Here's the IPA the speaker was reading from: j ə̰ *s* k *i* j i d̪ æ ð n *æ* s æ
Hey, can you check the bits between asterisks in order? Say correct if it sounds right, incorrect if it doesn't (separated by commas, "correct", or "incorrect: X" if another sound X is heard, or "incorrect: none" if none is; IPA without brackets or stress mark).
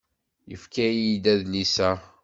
incorrect: f, incorrect: æ, incorrect: i